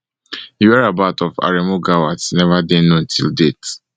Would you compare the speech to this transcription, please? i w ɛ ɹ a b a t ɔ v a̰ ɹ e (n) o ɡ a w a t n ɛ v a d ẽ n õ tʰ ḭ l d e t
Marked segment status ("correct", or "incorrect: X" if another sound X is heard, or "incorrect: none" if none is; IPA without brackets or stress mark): incorrect: m